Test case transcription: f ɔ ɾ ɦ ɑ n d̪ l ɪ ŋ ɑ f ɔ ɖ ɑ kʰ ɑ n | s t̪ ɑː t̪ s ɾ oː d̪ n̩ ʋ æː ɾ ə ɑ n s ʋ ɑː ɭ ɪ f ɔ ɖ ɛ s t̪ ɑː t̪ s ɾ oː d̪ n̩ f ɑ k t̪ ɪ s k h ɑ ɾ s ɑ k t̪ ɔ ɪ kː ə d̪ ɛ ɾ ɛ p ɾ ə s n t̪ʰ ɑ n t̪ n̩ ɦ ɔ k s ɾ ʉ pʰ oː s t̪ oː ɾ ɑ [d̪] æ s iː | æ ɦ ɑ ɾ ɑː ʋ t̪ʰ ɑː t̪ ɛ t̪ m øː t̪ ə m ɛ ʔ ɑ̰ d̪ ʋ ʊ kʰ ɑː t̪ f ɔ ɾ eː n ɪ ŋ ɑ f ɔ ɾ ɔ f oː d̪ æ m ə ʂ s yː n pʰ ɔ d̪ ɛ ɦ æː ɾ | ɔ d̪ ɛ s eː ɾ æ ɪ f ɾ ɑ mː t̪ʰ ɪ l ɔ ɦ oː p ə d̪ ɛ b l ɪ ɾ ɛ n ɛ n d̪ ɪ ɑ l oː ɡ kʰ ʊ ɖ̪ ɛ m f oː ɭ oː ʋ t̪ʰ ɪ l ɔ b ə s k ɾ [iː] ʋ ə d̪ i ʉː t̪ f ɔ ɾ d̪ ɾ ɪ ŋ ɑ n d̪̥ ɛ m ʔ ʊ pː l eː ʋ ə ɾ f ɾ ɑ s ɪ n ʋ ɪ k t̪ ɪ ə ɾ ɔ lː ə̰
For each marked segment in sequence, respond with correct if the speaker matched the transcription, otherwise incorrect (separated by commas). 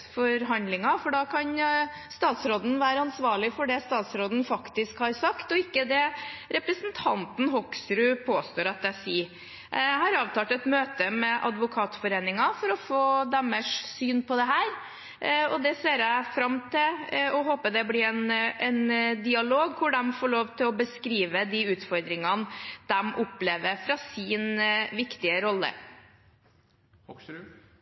incorrect, correct